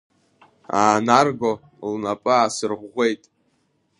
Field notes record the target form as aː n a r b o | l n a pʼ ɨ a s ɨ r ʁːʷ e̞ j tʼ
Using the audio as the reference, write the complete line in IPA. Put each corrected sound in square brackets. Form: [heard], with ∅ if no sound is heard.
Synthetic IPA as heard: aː n a r [ɡ] o | l n a pʼ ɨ a s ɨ r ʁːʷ e̞ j tʼ